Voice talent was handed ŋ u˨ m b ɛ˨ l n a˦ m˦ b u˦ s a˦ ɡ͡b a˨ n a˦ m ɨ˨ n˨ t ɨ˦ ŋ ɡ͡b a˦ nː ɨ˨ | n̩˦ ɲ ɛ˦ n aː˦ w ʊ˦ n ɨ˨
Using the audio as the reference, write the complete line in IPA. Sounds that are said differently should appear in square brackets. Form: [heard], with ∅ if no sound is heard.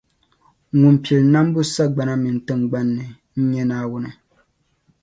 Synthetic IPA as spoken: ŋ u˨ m [p] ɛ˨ l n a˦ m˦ b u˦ s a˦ ɡ͡b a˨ n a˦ m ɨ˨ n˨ t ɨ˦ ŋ ɡ͡b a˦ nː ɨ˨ | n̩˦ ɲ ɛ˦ n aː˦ w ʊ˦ n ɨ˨